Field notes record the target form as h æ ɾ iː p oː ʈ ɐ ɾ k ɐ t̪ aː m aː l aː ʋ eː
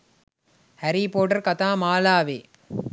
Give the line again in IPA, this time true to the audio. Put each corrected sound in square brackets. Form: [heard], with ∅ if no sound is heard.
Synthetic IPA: h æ ɾ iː p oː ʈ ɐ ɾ k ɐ t̪ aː m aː l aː ʋ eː